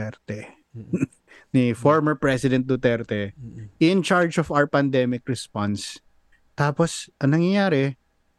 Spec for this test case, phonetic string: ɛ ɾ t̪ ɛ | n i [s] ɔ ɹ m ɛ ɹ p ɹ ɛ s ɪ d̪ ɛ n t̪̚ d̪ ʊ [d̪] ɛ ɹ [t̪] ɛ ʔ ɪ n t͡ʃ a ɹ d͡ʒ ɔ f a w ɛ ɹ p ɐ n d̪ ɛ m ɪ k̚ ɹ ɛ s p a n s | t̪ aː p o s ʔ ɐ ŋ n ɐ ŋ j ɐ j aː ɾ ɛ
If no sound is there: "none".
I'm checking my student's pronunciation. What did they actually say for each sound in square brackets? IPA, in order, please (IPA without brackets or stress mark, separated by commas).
f, t̪, t̪